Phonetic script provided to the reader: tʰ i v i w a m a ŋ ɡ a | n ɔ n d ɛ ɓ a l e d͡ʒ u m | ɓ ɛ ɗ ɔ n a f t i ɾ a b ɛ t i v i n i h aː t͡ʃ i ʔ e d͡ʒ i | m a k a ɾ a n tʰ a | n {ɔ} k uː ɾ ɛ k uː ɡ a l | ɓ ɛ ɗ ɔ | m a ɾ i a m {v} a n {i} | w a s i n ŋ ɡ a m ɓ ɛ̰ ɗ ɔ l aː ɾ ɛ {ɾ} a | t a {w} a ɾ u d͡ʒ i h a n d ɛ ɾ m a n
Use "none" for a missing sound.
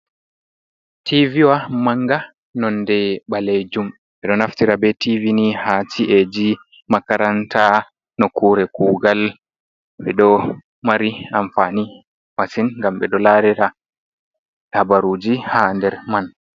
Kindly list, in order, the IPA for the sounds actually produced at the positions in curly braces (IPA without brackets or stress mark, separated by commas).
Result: ɔ, f, i, ɾ, b